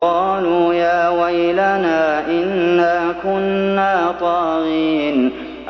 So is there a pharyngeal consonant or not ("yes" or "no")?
no